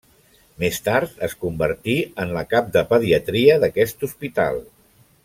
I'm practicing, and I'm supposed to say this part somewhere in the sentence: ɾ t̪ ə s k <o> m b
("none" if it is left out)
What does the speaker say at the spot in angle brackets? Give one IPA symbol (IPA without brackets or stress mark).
u